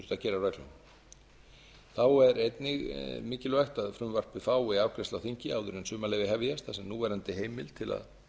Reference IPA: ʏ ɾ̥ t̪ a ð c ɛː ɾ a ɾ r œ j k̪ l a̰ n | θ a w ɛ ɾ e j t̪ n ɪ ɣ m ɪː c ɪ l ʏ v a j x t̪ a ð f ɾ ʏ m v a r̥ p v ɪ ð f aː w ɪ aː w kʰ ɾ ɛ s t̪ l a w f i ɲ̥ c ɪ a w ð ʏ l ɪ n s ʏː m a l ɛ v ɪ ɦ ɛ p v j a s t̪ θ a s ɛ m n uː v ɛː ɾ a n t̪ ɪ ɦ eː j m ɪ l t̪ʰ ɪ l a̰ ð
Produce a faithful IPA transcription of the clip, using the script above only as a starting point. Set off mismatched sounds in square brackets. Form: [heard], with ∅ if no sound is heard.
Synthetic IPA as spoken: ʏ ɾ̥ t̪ a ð c ɛː ɾ a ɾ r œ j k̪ l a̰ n | θ a w ɛ ɾ e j t̪ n ɪ ɣ m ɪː c ɪ l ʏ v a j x t̪ a ð f ɾ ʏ m v a r̥ p v ɪ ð f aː w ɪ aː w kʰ ɾ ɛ s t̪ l a w [θ] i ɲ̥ c ɪ a w ð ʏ [ɾ] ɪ n s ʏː m a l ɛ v ɪ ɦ ɛ [∅] v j a s t̪ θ a s ɛ m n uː v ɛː ɾ a n t̪ ɪ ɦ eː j m ɪ l t̪ʰ ɪ l a̰ ð